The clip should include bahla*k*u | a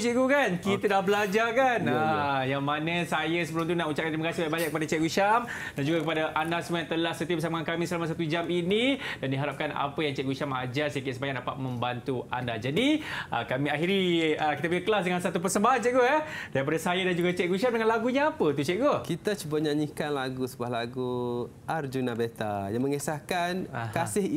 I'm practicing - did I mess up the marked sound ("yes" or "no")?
yes